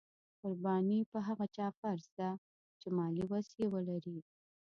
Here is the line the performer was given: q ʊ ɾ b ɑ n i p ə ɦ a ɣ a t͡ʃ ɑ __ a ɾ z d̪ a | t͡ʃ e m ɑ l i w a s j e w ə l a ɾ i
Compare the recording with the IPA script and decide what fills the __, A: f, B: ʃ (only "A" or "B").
A